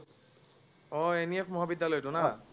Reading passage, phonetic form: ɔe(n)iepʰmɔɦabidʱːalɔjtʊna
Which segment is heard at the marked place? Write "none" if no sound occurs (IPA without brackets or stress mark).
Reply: n